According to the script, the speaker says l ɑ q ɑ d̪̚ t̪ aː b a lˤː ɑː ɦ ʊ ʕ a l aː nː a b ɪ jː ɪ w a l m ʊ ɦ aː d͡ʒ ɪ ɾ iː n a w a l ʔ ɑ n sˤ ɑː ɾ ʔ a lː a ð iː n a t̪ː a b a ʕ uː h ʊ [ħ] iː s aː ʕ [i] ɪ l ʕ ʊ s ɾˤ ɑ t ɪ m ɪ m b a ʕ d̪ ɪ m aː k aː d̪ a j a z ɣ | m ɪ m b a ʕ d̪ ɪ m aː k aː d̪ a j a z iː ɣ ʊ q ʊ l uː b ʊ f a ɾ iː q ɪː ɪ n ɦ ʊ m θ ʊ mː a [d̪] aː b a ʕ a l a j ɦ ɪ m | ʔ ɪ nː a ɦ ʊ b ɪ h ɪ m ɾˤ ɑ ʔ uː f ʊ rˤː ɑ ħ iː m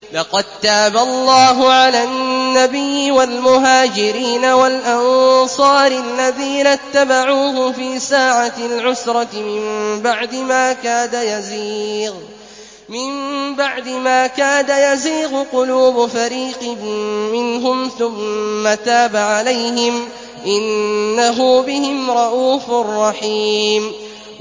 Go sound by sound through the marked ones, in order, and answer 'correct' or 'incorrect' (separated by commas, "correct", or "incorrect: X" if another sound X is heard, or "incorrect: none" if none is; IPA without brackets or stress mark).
incorrect: f, incorrect: a, incorrect: t̪